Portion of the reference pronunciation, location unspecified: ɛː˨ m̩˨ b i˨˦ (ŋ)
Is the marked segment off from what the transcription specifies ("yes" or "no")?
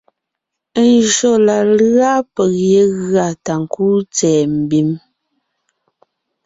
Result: yes